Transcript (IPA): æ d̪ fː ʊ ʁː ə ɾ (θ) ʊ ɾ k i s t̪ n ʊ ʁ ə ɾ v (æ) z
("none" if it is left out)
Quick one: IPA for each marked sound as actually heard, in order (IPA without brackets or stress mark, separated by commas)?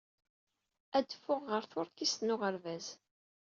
θ, æ